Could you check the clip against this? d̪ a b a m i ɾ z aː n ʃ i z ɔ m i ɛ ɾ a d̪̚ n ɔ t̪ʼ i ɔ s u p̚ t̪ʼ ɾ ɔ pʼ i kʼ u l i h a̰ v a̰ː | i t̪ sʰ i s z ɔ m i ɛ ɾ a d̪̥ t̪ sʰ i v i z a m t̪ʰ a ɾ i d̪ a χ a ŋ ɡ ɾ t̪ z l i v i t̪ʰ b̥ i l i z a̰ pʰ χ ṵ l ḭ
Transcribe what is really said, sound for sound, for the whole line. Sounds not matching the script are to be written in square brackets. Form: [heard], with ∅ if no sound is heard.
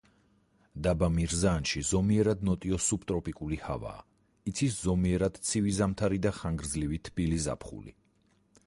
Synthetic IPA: d̪ a b a m i ɾ z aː n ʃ i z ɔ m i ɛ ɾ a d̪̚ n ɔ t̪ʼ i ɔ s u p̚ t̪ʼ ɾ ɔ pʼ i kʼ u l i h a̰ v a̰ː | i t̪ sʰ i s z ɔ m i ɛ ɾ a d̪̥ t̪ sʰ i v i z a m t̪ʰ a ɾ i d̪ a χ a ŋ ɡ ɾ [d̪] z l i v i t̪ʰ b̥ i l i z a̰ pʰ χ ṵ l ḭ